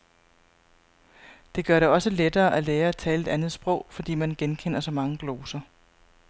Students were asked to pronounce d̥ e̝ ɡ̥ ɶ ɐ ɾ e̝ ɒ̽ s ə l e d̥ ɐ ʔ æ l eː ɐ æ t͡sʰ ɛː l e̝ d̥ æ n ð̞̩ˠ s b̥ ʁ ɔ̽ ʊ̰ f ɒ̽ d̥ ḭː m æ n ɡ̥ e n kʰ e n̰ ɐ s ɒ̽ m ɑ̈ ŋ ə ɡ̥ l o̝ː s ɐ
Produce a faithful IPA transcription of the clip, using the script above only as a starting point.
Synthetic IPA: d̥ e̝ ɡ̥ ɶ ɐ ɾ e̝ ɒ̽ s ə l e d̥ ɐː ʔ æ l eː ɐ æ t͡sʰ ɛː l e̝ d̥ æ n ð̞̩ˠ s b̥ ʁ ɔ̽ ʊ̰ f ɒ̽ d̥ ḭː m æ n ɡ̥ e n kʰ e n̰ ɐ s ɒ̽ m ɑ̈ ŋ ə ɡ̥ l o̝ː s ɐ